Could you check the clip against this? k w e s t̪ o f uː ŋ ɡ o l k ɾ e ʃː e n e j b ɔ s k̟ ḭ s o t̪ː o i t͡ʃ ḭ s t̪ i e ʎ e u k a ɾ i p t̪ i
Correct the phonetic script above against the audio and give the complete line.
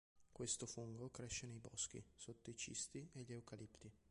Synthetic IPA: k w e s t̪ o f u ŋ ɡ o k ɾ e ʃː e n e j b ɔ s k̟ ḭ s o t̪ː o i t͡ʃ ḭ s t̪ i e ʎ e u k a l i p t̪ i